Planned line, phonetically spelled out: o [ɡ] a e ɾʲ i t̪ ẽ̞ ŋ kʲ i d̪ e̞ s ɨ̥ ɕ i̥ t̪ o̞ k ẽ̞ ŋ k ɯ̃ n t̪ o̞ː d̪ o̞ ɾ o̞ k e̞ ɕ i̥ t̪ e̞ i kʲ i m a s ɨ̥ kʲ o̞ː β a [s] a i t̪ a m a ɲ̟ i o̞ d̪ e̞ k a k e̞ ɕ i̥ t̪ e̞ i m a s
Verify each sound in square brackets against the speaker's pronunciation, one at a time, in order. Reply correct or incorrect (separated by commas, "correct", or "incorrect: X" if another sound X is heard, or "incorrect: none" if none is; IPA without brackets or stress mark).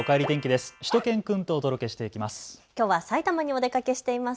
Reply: incorrect: k, correct